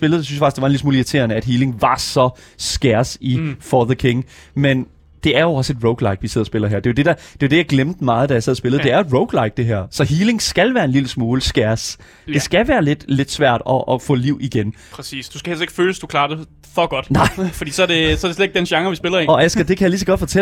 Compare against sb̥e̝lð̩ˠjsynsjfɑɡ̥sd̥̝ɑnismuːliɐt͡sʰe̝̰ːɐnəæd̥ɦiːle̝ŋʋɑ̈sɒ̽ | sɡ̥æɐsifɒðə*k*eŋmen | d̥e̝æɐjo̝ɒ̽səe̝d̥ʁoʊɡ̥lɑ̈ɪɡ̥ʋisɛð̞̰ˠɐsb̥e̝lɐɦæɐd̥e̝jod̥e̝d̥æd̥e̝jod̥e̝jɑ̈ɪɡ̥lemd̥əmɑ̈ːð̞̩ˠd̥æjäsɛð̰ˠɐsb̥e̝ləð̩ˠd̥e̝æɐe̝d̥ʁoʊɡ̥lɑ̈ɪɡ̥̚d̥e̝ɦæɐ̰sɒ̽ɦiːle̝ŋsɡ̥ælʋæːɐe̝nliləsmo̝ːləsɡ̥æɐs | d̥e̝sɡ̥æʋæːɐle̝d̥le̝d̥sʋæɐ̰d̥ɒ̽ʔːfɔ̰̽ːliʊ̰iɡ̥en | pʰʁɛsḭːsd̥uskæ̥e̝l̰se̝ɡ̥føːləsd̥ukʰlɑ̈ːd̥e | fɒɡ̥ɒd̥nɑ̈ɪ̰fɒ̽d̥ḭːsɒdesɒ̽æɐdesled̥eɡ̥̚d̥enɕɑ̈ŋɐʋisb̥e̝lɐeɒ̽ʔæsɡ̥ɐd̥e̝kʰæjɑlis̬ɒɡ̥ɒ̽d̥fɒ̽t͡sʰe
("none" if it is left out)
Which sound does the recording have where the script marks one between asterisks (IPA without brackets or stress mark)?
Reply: kʰ